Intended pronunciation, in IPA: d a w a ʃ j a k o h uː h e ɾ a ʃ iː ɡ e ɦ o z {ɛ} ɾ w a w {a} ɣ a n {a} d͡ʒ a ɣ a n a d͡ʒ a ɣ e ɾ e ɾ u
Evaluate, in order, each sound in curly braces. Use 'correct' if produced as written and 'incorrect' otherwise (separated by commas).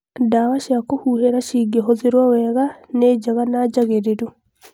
incorrect, incorrect, incorrect